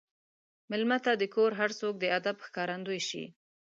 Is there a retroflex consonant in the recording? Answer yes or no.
no